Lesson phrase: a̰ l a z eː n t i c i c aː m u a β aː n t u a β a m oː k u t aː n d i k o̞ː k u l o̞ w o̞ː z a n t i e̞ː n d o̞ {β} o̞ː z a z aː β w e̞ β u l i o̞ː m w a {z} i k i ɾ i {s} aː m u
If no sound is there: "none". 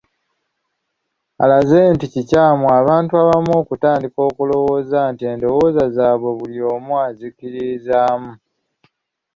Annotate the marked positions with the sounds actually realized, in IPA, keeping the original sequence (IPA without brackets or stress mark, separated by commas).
w, z, z